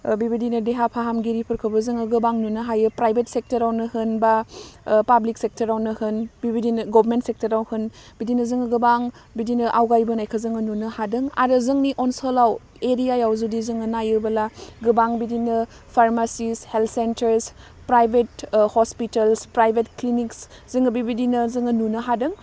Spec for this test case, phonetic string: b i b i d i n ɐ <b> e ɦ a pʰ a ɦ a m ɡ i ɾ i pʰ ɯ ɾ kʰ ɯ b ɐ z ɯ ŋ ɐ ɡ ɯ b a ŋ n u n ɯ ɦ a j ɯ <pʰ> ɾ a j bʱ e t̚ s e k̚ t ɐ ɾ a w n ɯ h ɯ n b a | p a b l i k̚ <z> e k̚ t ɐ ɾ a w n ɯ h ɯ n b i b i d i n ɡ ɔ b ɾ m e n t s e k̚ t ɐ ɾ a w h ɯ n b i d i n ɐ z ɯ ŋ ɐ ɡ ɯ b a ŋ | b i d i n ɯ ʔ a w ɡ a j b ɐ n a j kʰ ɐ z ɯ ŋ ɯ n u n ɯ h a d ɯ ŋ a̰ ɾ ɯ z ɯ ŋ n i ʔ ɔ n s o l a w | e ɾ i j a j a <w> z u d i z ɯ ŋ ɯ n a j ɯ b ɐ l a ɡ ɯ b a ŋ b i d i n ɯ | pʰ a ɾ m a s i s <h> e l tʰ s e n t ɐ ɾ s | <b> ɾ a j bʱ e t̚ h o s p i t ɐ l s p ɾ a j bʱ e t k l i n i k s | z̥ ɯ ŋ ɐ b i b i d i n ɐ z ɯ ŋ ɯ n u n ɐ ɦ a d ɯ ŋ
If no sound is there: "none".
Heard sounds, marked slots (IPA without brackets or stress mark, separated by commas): d, p, s, w, h, p